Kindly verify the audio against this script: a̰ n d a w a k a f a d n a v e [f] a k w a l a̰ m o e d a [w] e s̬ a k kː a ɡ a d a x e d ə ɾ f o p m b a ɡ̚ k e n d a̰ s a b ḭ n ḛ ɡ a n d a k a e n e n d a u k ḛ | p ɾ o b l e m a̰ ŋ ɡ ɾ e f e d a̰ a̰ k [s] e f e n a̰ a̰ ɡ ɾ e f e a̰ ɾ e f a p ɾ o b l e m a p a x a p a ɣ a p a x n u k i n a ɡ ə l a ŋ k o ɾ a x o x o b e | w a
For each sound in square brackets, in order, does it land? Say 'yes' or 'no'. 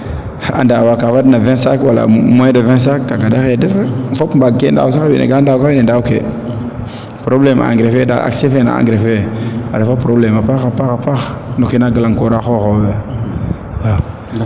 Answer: no, no, yes

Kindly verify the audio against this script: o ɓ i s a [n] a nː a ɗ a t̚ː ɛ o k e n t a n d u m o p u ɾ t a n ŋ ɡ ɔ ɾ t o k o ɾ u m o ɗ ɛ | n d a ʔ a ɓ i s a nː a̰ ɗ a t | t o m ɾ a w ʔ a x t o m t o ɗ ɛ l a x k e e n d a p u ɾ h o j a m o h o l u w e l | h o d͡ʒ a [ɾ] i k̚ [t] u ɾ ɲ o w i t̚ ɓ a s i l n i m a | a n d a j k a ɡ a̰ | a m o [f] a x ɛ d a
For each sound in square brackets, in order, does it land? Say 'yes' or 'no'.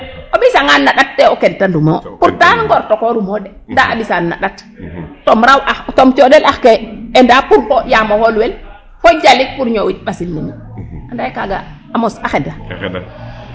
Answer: no, no, no, no

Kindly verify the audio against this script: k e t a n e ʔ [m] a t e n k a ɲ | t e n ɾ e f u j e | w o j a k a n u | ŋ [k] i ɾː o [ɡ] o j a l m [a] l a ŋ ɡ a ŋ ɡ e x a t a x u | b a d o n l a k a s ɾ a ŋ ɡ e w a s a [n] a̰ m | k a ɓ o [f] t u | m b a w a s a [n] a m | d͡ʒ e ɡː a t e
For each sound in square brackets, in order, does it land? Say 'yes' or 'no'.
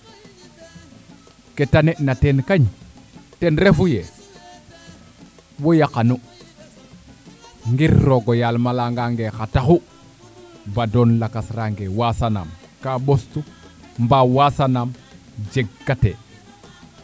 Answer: no, no, yes, yes, yes, no, yes

